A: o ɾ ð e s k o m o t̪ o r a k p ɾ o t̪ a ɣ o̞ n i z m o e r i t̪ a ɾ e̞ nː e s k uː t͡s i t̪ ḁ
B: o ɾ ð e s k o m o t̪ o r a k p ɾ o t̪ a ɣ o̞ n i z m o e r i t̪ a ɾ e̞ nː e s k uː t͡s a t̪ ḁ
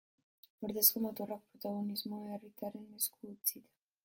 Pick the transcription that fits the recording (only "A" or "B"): A